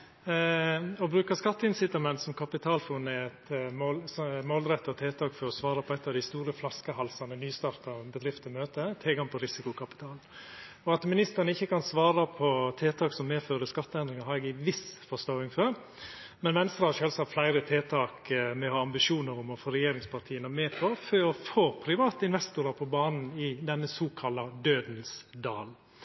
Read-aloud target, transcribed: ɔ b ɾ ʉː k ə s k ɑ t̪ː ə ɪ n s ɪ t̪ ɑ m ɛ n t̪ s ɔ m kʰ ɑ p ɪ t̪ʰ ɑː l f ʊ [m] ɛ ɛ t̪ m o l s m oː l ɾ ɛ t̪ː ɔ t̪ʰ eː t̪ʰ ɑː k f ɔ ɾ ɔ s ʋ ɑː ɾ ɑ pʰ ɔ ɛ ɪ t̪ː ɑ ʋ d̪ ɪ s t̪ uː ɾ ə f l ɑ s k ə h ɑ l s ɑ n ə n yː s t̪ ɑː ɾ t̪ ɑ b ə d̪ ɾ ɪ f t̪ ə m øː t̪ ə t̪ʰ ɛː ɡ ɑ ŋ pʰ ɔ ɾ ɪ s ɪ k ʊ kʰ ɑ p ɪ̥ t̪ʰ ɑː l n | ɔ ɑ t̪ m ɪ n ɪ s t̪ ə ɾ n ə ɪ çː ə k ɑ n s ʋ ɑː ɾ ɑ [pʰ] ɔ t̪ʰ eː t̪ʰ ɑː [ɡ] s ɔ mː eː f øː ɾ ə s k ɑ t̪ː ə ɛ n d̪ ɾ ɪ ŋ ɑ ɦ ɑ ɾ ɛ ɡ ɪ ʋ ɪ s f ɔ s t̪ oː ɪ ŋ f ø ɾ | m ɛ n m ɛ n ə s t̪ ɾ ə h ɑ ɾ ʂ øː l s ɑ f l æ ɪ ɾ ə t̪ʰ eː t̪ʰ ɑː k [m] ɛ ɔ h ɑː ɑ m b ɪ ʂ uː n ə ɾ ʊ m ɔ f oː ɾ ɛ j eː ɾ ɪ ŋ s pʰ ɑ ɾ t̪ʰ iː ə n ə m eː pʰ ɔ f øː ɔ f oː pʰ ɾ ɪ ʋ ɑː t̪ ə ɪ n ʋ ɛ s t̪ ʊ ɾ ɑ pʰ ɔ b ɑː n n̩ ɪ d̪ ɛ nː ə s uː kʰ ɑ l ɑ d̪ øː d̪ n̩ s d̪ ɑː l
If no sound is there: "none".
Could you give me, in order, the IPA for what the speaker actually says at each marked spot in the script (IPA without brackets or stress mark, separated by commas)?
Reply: n, pʰ, k, m